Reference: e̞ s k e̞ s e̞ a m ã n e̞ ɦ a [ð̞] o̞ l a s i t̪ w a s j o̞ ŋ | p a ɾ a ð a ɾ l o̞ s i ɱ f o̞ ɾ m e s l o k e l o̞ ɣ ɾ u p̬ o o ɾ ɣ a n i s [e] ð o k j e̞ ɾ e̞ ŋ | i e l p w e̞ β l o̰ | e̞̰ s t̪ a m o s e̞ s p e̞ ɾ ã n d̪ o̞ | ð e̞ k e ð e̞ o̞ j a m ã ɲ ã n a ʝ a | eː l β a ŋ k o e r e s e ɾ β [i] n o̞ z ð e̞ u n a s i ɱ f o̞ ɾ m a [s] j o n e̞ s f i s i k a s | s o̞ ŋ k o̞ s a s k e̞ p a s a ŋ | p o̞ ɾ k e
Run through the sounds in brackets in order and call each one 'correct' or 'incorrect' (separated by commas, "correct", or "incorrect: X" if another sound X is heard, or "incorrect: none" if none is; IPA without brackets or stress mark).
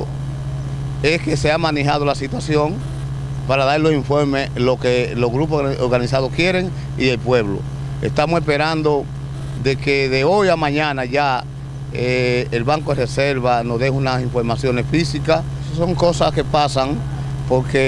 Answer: correct, incorrect: a, incorrect: a, correct